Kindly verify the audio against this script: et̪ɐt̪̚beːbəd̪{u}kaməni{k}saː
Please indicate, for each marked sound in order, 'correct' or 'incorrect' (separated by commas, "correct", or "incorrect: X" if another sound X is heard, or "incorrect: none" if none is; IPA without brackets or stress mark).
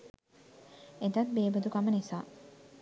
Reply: correct, incorrect: none